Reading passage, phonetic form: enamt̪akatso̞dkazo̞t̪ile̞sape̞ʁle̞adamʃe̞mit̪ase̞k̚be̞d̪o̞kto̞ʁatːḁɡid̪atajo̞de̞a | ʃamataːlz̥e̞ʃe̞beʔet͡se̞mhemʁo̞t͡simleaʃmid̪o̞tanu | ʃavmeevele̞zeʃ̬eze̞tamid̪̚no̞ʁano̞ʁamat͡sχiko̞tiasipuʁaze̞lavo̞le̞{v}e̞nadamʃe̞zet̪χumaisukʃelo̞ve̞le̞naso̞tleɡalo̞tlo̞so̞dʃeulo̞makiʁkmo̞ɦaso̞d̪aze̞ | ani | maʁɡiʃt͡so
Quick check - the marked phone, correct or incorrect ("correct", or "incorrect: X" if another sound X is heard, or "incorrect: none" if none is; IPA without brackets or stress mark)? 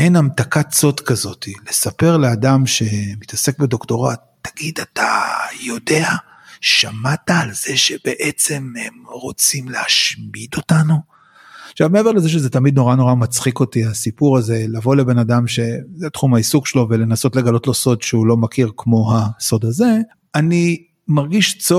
incorrect: b